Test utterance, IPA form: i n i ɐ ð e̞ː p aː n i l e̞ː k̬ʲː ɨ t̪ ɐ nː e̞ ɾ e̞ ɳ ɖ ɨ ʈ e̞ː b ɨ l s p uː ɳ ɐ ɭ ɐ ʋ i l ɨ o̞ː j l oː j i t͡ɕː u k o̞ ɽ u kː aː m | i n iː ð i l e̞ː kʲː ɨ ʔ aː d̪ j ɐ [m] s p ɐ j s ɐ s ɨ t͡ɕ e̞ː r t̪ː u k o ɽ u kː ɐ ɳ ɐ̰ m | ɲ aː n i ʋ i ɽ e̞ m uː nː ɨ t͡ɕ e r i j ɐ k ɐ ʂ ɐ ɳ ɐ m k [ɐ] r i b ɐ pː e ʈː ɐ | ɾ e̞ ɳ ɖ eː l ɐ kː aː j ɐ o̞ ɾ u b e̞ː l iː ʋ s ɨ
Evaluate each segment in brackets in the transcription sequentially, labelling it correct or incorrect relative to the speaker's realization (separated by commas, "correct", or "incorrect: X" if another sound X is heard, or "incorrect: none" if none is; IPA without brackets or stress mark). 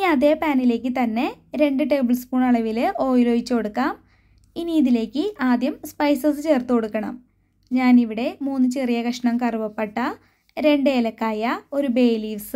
correct, correct